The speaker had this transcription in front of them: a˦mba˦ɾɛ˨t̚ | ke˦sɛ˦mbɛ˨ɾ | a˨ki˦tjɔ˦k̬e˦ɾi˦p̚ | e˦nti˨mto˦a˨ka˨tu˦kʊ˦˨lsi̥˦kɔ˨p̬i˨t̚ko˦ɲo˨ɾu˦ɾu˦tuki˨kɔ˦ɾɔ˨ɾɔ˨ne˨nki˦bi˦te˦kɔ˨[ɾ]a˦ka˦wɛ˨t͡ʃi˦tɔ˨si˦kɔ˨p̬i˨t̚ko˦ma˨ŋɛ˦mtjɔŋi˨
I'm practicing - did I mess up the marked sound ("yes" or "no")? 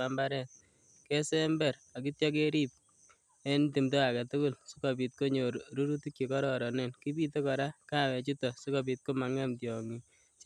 no